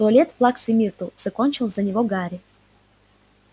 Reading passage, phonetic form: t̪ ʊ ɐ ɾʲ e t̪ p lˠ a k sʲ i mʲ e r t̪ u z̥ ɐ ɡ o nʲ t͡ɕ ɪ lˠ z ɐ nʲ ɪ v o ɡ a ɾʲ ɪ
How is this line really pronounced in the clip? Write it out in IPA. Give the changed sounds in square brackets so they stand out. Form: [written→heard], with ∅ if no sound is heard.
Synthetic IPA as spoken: t̪ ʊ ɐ [ɾʲ→lʲ] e t̪ p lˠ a k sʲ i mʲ [e→i] r t̪ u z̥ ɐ [ɡ→k] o nʲ t͡ɕ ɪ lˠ z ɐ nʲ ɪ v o ɡ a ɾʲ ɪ